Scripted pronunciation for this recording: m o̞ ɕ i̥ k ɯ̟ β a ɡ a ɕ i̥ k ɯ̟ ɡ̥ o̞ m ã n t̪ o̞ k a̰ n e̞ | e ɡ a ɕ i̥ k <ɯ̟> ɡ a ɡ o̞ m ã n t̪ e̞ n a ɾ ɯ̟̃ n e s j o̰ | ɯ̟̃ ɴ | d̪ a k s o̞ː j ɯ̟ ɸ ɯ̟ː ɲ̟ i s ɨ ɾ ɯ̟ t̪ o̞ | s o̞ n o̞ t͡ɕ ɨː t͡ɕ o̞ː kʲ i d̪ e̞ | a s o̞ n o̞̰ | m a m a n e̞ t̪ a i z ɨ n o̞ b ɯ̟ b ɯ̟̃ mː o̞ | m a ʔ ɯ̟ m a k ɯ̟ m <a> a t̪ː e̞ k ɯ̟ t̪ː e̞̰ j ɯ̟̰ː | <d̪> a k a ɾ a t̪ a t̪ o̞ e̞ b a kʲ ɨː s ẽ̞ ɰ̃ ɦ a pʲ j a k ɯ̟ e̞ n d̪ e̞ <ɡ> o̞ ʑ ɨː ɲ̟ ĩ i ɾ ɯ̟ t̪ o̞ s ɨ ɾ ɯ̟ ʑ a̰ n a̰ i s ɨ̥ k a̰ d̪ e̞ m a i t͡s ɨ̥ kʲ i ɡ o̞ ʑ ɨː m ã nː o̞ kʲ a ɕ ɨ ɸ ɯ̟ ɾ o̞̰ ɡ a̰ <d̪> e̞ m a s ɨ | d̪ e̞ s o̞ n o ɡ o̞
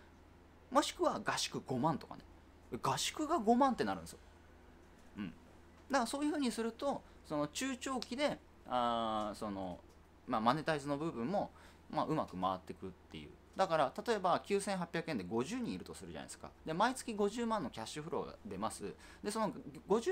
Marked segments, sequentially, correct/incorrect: correct, correct, correct, correct, correct

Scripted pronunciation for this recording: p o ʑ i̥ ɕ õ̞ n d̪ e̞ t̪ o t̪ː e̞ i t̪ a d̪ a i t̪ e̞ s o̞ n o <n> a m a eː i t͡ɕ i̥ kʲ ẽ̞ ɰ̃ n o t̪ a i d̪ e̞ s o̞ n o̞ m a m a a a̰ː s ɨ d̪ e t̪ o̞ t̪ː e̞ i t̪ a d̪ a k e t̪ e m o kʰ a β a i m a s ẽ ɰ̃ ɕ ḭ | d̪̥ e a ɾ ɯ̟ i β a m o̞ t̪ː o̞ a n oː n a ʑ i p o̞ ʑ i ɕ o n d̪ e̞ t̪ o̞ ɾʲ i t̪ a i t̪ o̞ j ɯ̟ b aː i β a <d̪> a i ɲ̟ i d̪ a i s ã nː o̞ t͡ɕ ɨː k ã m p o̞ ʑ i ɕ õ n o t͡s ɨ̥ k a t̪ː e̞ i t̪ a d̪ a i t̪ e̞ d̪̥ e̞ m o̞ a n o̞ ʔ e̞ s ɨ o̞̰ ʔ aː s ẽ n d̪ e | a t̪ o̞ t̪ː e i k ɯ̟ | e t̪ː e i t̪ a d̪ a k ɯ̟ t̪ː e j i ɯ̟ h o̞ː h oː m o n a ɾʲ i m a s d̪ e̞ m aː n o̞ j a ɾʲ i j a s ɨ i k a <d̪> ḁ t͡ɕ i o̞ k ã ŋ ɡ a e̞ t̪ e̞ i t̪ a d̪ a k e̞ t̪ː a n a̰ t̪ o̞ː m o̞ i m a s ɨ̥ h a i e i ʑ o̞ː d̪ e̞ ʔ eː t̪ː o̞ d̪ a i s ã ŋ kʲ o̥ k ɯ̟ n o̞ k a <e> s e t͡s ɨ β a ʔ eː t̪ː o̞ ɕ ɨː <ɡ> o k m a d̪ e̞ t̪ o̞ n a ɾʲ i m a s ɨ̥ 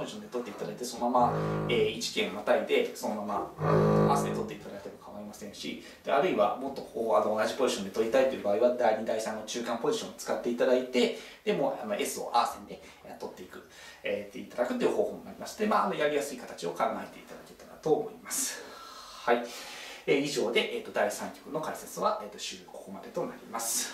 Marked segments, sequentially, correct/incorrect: incorrect: m, correct, incorrect: t̪, incorrect: i, incorrect: k

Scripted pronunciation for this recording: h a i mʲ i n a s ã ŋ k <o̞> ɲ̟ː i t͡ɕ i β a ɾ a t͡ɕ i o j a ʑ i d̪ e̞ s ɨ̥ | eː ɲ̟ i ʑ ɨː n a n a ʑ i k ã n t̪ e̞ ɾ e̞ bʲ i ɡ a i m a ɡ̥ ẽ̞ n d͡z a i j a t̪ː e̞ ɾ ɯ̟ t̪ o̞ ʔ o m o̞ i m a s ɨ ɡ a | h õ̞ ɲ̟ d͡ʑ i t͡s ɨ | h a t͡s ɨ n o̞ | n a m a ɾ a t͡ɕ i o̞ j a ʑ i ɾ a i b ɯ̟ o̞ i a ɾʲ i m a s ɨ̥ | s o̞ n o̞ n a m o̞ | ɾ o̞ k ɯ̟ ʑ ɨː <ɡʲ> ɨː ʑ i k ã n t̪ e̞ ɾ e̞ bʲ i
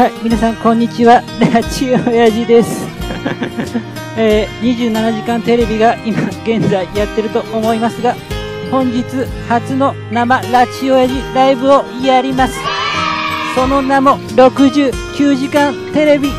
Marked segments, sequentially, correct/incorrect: incorrect: õ̞, incorrect: kʲ

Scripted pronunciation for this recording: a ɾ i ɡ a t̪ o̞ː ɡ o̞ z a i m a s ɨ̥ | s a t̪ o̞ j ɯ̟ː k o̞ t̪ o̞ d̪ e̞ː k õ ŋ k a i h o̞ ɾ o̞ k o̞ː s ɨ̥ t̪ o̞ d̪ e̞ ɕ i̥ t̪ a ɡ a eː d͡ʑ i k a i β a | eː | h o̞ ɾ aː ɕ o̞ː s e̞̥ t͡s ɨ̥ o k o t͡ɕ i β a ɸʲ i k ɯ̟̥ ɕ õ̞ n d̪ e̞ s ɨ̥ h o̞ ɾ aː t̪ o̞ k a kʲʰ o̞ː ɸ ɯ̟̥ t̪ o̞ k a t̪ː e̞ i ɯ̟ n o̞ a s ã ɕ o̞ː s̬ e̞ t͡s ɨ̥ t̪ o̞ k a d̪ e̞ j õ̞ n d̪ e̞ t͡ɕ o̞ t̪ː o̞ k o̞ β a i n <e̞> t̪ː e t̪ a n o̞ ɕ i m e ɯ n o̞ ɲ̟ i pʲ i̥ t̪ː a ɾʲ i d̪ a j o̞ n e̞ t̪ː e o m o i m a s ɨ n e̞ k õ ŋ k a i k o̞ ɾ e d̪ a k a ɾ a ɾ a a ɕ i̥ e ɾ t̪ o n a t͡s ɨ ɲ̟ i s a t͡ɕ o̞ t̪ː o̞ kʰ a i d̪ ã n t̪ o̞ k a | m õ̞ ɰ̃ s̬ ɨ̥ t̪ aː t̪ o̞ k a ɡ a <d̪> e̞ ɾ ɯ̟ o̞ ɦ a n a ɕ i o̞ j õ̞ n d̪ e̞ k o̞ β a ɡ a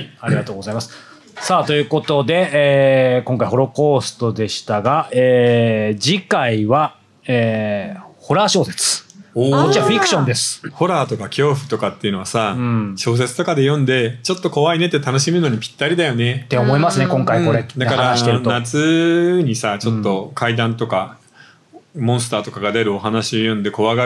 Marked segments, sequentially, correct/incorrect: correct, correct

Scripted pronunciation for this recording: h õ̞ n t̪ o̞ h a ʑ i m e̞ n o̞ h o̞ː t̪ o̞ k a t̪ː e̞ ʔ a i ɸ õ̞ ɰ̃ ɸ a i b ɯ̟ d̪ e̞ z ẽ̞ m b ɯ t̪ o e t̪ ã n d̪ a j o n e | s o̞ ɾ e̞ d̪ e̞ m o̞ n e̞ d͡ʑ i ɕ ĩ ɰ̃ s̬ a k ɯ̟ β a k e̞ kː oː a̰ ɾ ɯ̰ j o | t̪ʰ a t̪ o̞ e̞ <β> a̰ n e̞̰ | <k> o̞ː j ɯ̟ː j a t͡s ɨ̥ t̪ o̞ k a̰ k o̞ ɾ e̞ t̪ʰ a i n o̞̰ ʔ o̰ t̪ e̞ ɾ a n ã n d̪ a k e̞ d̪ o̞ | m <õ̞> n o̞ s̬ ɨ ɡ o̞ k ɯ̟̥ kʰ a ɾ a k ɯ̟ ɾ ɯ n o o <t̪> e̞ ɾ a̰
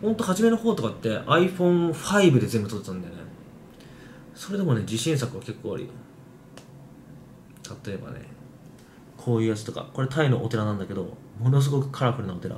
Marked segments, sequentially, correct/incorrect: incorrect: b, incorrect: kʰ, incorrect: o̞, correct

